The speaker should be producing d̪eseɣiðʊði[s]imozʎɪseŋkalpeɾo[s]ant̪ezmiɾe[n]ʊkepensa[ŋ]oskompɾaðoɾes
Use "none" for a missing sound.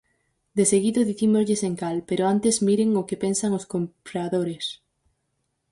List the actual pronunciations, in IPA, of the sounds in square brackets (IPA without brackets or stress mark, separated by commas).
θ, none, ŋ, ŋ